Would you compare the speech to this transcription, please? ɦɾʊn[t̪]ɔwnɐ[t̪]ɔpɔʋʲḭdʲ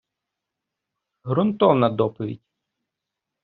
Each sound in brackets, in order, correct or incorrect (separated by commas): correct, incorrect